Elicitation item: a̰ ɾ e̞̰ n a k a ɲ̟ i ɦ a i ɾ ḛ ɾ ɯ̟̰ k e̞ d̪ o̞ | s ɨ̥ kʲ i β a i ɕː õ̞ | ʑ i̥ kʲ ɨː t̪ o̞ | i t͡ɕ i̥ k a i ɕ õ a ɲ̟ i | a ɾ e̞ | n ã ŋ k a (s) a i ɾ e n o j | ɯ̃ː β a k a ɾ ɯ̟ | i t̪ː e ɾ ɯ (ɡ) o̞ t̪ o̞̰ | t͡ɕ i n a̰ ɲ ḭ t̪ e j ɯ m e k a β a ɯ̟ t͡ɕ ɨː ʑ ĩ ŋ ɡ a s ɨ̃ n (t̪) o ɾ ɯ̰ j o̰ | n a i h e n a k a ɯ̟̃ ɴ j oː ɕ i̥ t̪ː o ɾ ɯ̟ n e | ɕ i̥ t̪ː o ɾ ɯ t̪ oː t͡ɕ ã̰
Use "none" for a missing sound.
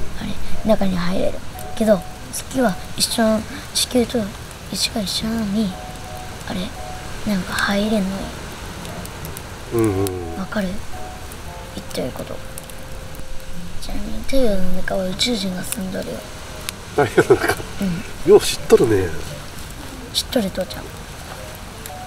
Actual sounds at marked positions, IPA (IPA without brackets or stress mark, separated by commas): h, k, d̪